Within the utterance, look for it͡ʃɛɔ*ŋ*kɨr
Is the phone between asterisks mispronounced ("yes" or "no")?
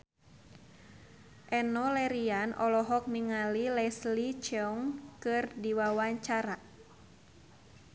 no